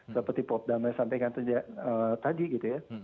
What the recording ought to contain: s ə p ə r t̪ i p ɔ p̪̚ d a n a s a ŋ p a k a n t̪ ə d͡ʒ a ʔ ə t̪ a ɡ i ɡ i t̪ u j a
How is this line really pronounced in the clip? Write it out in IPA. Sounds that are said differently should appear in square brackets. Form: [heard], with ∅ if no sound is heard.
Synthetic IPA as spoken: s ə p ə r t̪ i p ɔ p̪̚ d a [m] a s a [m] p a k a n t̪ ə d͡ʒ a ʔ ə t̪ a [d] i ɡ i t̪ u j a